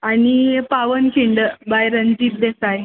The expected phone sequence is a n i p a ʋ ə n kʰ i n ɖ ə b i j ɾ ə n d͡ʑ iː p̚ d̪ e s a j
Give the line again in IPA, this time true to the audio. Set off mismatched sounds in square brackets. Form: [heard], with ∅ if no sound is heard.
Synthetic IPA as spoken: a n i p a ʋ ə n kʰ i [ɳ] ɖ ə b [a] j ɾ ə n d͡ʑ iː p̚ d̪ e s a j